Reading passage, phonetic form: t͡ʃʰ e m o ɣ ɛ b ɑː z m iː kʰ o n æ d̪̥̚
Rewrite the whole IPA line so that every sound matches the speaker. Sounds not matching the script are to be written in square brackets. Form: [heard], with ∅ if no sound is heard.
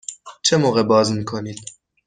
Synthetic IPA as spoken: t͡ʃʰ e m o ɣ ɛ b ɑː z m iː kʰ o n [i] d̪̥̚